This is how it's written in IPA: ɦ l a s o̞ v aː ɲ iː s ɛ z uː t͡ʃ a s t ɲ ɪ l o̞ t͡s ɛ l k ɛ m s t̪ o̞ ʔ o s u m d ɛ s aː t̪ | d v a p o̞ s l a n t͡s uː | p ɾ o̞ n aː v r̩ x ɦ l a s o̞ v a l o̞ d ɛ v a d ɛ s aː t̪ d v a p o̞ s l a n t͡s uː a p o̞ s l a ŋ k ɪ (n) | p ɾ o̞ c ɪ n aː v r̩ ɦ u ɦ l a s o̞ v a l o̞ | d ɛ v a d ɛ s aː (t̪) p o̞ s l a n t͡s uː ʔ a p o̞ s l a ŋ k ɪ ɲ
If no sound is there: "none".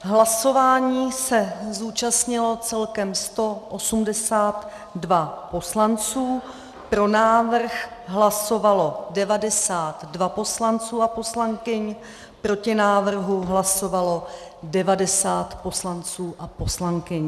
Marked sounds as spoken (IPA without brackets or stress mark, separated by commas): ɲ, t̪